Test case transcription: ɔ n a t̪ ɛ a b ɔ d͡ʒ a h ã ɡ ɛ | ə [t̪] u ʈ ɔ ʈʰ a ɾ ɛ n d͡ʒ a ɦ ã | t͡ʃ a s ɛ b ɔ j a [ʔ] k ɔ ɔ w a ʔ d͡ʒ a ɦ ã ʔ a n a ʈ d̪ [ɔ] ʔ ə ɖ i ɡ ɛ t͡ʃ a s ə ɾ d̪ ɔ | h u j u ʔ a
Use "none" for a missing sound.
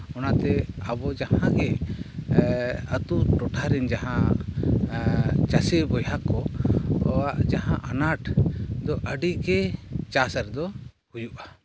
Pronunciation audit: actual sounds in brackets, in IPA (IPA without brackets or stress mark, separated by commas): t̪, none, ɔ